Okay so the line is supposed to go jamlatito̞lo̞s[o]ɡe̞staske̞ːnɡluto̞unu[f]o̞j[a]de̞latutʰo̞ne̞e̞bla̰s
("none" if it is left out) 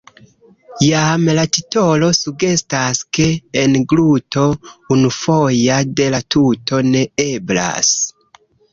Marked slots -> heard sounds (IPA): u, f, a

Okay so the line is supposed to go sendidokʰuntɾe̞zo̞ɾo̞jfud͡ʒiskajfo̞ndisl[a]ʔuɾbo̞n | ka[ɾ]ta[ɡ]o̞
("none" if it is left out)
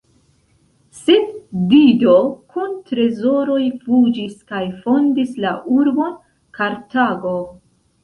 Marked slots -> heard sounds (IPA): a, ɾ, ɡ

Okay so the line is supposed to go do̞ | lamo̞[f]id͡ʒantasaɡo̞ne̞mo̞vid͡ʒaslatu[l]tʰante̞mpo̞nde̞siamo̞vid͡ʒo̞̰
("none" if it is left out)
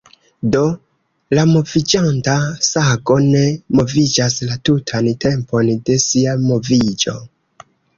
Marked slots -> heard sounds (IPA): v, none

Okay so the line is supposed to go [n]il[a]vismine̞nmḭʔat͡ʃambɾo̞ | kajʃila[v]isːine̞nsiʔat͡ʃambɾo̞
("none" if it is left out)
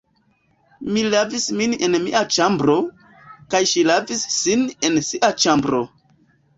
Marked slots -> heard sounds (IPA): m, a, v

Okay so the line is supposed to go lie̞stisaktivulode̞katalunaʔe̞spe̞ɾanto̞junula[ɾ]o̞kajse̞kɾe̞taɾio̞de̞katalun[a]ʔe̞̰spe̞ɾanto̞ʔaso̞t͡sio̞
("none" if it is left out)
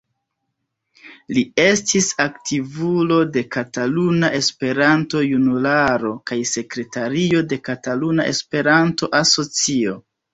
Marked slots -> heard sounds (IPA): ɾ, a

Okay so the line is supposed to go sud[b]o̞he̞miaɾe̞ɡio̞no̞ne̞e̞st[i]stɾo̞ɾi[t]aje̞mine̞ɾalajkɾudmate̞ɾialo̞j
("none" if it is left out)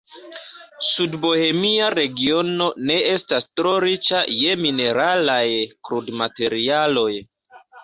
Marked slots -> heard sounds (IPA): b, a, t͡ʃ

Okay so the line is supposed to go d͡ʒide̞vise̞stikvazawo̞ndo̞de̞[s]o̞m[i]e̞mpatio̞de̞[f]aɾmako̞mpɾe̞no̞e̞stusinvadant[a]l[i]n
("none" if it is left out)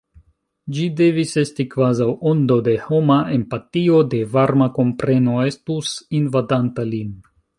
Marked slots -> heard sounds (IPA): h, a, v, a, i

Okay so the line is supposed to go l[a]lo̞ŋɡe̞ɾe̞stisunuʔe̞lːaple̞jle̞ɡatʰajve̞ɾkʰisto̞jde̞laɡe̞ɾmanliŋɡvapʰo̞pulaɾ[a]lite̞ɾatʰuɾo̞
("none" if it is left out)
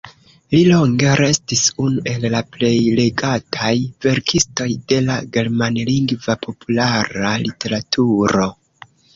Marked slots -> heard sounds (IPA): i, a

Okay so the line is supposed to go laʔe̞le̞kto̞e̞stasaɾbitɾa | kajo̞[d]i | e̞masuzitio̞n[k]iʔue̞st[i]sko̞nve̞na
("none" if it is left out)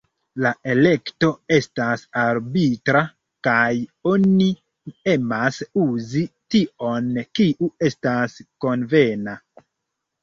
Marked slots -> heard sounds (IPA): n, k, a

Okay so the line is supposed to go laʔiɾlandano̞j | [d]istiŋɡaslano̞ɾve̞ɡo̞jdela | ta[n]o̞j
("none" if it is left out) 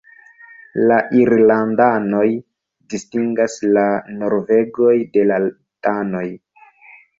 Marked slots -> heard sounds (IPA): d, n

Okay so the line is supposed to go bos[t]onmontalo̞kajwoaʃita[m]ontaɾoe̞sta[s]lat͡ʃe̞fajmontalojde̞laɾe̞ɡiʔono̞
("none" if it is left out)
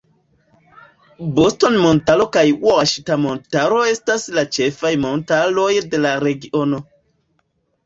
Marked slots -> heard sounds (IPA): t, m, s

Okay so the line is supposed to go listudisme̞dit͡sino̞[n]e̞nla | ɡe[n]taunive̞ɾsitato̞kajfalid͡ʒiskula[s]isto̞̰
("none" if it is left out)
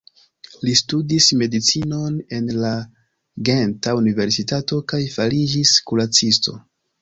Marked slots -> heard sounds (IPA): n, n, t͡s

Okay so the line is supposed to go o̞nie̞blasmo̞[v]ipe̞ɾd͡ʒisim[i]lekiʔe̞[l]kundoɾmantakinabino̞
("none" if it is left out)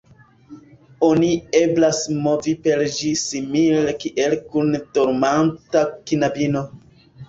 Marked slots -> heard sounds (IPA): v, i, l

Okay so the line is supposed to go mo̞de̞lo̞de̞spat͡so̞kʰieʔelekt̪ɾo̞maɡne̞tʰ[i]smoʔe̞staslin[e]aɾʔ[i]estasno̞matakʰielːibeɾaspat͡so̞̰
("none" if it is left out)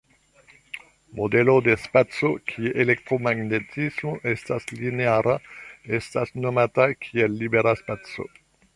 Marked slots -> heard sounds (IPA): i, e, a

